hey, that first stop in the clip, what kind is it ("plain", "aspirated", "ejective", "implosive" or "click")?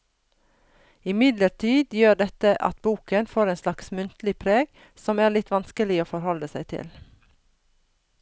plain